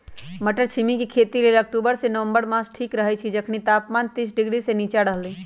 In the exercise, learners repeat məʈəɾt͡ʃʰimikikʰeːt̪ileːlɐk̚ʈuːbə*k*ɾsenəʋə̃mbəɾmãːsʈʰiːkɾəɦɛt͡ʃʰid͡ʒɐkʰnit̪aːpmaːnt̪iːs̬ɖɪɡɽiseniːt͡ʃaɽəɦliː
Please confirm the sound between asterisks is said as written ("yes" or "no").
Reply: no